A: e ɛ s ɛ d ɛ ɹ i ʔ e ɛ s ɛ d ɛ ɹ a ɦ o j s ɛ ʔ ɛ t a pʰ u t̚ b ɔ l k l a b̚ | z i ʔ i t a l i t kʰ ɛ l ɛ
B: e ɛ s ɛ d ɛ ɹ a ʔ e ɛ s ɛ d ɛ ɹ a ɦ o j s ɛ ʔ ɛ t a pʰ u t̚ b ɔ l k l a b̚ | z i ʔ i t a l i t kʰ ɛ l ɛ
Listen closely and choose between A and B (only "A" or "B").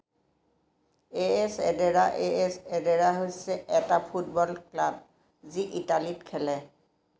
B